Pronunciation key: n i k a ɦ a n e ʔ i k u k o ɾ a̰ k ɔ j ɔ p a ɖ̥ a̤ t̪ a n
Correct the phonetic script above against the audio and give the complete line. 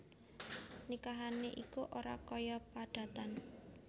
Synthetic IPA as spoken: n i k a ɦ a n e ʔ i k u ʔ o ɾ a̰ k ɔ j ɔ p a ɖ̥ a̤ t̪ a n